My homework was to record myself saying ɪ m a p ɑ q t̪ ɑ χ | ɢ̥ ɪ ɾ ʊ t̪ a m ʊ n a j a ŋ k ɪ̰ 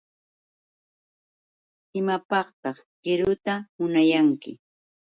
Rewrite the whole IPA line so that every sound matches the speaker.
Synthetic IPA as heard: ɪ m a p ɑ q t̪ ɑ χ | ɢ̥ ɪ ɾ ʊ t̪ a m ʊ n a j a ŋ k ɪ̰